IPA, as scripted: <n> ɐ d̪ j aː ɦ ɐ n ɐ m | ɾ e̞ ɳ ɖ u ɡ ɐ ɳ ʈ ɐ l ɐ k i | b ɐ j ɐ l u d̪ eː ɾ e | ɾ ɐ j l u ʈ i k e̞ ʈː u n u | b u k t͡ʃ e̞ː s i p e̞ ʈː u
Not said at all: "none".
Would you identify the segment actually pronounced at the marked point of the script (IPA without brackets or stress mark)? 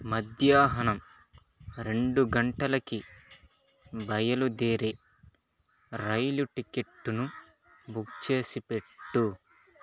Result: m